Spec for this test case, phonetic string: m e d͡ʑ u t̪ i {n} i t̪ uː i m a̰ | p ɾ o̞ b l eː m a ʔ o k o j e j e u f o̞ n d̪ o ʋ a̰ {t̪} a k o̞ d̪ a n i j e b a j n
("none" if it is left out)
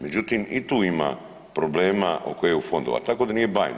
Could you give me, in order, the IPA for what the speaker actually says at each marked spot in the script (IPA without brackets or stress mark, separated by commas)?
m, t̪